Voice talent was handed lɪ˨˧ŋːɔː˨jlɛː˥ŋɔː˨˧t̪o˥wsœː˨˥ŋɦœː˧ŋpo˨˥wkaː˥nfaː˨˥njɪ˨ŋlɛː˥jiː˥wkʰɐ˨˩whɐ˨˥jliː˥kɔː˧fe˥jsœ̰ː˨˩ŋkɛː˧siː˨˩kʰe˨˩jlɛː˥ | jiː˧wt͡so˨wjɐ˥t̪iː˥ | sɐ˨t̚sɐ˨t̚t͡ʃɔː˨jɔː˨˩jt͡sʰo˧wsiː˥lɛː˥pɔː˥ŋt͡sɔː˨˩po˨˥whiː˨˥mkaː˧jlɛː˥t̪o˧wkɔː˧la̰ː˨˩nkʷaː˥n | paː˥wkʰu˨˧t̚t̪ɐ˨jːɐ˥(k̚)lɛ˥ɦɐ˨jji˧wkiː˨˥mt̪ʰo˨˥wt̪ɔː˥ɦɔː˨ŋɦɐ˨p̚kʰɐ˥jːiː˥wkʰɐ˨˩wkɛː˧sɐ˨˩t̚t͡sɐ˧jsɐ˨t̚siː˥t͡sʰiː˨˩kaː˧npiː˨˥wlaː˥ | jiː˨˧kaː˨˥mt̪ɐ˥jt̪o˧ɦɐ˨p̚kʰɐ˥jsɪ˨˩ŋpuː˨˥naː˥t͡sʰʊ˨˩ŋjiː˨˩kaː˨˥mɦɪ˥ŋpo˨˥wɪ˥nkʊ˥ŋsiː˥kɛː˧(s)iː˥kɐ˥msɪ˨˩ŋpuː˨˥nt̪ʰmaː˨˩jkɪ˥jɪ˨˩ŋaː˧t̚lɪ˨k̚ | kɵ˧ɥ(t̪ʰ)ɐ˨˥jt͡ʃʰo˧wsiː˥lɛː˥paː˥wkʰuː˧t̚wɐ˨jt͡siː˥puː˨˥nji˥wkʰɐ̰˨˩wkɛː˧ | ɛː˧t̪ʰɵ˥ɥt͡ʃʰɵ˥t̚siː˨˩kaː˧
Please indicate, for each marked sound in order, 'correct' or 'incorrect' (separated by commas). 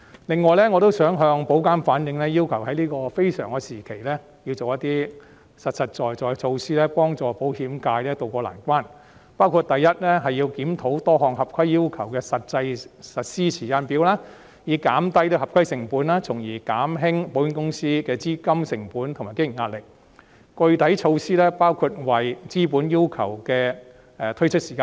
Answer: incorrect, incorrect, incorrect